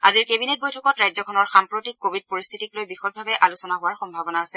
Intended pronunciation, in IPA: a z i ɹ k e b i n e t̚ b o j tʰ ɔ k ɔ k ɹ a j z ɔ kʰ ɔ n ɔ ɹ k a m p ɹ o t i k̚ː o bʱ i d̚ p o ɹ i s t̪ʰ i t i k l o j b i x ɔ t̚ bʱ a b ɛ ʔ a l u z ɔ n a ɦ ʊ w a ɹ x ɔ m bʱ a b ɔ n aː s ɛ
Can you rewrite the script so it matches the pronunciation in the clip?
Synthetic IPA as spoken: a z i ɹ k e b i n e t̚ b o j tʰ ɔ k ɔ t ɹ a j z ɔ kʰ ɔ n ɔ ɹ x a m p ɹ o t i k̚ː o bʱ i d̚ p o ɹ i s t̪ʰ i t i k l o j b i x ɔ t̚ bʱ a b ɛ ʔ a l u s ɔ n a ɦ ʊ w a ɹ x ɔ m bʱ a b ɔ n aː s ɛ